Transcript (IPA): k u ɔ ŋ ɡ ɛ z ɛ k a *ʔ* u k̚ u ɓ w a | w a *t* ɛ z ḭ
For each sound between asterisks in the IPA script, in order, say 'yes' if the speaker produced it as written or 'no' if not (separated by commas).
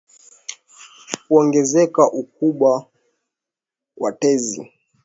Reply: yes, yes